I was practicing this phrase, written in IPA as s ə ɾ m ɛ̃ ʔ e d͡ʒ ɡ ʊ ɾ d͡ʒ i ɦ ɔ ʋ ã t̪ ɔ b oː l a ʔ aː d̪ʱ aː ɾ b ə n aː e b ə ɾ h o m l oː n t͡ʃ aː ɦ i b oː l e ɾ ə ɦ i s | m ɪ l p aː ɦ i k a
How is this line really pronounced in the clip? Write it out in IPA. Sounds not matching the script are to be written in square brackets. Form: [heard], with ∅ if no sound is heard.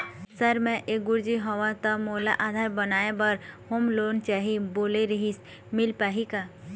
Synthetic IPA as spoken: s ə ɾ m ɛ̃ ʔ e [∅] ɡ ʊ ɾ d͡ʒ i ɦ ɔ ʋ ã t̪ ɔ [m] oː l a ʔ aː d̪ʱ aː ɾ b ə n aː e b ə ɾ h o m l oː n t͡ʃ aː ɦ i b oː l e ɾ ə ɦ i s | m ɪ l p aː ɦ i k a

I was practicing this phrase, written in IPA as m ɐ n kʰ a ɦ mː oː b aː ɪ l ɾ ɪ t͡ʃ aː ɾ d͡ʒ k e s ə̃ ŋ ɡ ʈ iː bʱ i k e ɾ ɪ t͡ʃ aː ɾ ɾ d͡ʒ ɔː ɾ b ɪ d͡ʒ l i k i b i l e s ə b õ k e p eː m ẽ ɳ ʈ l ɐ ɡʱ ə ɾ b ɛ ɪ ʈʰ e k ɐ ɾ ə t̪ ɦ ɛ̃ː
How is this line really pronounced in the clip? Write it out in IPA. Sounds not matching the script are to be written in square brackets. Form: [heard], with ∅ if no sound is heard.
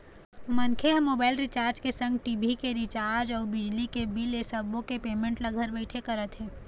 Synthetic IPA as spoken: m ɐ n kʰ [e] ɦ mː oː b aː ɪ l ɾ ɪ t͡ʃ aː ɾ d͡ʒ k e s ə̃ ŋ ɡ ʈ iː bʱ i k e ɾ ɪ t͡ʃ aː ɾ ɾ d͡ʒ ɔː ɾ b ɪ d͡ʒ l i k [e] b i l e s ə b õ k e p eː m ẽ ɳ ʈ l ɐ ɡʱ ə ɾ b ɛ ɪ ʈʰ e k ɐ ɾ ə t̪ ɦ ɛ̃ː

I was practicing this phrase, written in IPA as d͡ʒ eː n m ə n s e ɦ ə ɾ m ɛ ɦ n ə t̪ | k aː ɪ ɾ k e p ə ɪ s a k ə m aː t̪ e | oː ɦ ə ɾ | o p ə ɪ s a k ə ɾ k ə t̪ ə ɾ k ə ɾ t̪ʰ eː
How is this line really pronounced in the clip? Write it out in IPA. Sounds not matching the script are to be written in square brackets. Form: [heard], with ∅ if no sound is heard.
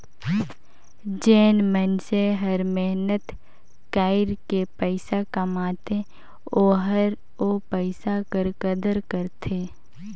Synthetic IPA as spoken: d͡ʒ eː n m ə n s e ɦ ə ɾ m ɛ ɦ n ə t̪ | k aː ɪ ɾ k e p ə ɪ s a k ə m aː t̪ e | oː ɦ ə ɾ | o p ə ɪ s a k ə ɾ k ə [d̪] ə ɾ k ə ɾ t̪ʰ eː

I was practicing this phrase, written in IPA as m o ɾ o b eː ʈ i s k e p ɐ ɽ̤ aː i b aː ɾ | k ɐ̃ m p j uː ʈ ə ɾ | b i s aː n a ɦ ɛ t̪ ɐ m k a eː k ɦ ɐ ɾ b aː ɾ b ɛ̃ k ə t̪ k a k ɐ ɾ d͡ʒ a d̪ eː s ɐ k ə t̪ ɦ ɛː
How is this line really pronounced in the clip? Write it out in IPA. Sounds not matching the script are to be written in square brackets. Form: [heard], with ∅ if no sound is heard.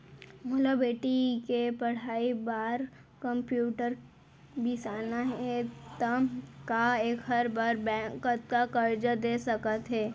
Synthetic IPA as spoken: m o [l] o b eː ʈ i [∅] k e p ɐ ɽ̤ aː i b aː ɾ | k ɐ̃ m p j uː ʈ ə ɾ | b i s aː n a ɦ ɛ t̪ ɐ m k a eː k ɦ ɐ ɾ b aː ɾ b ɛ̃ k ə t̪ k a k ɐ ɾ d͡ʒ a d̪ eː s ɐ k ə t̪ ɦ ɛː

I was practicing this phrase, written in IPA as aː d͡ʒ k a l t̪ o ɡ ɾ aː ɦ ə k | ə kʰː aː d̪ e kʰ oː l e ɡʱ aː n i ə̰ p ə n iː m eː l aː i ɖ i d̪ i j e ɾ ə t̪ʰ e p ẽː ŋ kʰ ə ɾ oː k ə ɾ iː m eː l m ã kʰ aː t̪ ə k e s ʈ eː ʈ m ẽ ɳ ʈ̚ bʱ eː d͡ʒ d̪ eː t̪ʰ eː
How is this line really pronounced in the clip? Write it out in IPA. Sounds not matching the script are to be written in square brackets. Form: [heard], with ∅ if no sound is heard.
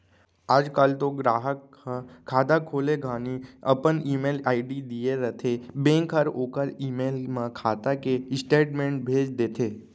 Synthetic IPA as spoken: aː d͡ʒ k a l t̪ o ɡ ɾ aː ɦ ə k | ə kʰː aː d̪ [a] kʰ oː l e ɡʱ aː n i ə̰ p ə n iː m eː l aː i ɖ i d̪ i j e ɾ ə t̪ʰ e [b] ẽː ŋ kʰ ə ɾ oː k ə ɾ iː m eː l m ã kʰ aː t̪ [a] k e s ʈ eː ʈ m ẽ ɳ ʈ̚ bʱ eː d͡ʒ d̪ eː t̪ʰ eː

